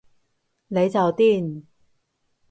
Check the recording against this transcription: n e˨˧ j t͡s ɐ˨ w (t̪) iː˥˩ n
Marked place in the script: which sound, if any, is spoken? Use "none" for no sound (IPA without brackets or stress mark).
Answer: t̪